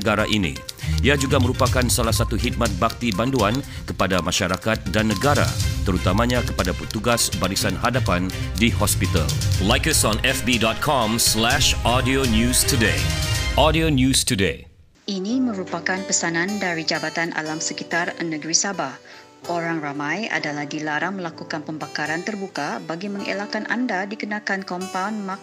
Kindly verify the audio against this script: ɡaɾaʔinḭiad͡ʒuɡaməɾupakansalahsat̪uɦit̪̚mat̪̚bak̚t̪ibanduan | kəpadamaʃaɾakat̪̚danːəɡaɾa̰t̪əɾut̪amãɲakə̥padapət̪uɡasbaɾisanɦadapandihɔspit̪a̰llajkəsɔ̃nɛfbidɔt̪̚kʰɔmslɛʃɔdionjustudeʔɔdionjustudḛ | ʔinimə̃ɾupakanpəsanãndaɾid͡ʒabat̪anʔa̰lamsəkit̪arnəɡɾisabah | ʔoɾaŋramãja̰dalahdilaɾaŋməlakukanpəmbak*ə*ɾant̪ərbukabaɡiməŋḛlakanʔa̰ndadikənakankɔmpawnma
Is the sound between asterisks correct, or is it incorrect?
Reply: incorrect